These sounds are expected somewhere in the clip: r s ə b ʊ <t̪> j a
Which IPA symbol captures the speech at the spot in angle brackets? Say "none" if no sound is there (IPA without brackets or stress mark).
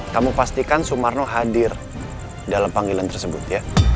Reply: t̪